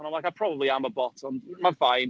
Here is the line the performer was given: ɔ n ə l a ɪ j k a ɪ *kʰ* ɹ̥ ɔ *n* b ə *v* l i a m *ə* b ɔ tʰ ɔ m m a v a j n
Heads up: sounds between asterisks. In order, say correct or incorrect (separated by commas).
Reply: incorrect, incorrect, incorrect, correct